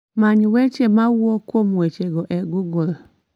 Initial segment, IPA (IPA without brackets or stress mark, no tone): m